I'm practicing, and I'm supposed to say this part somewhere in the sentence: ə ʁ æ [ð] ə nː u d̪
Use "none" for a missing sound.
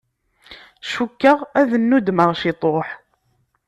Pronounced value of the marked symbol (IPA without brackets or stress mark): ð